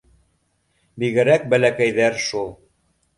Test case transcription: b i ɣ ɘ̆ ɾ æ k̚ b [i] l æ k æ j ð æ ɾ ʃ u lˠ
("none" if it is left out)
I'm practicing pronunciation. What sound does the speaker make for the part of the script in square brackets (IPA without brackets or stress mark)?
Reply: æ